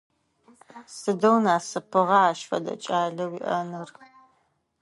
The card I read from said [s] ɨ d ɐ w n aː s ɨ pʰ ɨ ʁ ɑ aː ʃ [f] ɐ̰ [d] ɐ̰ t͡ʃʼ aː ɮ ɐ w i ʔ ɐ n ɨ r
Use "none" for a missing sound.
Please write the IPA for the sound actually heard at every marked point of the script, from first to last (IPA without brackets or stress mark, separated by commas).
s, f, d